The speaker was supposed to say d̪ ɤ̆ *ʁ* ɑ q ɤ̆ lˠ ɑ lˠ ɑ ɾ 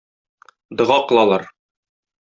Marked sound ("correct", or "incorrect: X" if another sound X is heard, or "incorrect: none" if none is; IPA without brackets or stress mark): correct